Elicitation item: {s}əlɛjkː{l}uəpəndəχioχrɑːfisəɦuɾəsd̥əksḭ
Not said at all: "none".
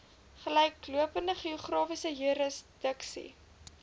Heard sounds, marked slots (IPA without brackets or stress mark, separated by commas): χ, l